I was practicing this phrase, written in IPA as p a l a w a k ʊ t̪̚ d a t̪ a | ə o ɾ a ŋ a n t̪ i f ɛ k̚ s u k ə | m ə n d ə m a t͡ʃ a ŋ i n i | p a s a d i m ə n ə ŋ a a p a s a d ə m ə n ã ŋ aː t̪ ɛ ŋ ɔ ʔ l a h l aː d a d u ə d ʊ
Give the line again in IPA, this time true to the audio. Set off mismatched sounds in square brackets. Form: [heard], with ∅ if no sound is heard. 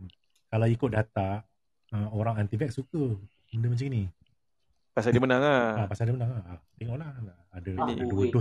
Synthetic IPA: [k] a l a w [i] k ʊ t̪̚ d a t̪ a | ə o ɾ a ŋ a n t̪ i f ɛ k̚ s u k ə | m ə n d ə m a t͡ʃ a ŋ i n i | p a s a d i m ə n [a] ŋ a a p a s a d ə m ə n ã ŋ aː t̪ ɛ ŋ ɔ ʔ l a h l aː d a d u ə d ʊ